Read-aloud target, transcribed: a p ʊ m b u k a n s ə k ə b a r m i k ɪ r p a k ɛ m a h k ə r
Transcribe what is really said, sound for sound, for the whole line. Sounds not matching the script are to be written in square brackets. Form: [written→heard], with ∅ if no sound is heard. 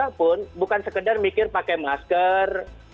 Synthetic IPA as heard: a p ʊ [m→n] b u k a n s ə k ə [b→d] a r m i k ɪ r p a k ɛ m a [h→s] k ə r

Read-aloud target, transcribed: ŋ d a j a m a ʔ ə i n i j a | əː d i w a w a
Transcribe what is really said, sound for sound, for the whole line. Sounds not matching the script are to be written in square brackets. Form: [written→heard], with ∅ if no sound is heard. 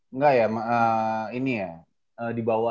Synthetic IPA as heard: ŋ [d→ɡ] a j a m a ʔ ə i n i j a | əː d i [w→b] a w a

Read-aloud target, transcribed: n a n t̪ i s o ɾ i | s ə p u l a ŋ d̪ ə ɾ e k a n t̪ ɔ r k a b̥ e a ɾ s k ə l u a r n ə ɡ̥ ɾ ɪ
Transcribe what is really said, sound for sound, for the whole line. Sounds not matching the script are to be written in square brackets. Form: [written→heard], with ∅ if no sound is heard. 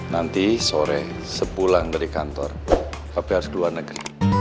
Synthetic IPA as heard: n a n t̪ i s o ɾ [i→ɛ] | s ə p u l a ŋ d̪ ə ɾ [e→i] k a n t̪ ɔ r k a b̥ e a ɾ s k ə l u a r n ə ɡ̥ ɾ [ɪ→i]

